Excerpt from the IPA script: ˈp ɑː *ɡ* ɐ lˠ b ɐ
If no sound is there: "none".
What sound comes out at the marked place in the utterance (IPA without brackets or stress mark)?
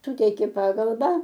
ɡ